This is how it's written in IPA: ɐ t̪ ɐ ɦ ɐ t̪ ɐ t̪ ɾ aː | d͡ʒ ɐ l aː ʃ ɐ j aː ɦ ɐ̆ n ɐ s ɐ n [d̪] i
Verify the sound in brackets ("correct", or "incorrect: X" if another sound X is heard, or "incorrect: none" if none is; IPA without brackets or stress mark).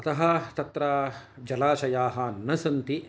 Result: incorrect: t̪